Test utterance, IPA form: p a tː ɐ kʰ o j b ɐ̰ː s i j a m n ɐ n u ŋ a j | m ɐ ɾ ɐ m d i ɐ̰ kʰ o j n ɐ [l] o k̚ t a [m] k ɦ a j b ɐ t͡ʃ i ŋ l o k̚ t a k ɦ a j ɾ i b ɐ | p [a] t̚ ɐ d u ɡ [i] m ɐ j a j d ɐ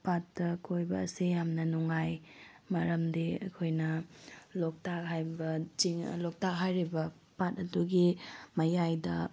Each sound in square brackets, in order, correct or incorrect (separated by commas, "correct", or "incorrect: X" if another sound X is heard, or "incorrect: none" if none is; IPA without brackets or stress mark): correct, incorrect: none, correct, correct